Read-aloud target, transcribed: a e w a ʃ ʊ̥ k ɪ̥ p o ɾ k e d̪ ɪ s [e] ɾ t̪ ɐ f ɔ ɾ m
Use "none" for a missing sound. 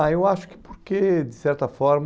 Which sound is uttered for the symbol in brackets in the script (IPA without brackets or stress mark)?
ɛ